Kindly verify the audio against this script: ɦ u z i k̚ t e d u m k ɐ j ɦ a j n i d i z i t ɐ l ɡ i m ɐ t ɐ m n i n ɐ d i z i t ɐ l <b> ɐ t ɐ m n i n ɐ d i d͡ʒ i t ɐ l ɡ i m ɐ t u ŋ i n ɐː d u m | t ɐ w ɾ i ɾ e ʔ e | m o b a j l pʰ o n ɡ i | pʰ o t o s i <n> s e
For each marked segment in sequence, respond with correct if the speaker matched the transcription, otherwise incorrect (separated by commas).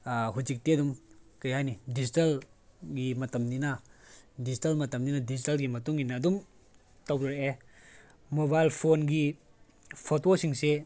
incorrect, incorrect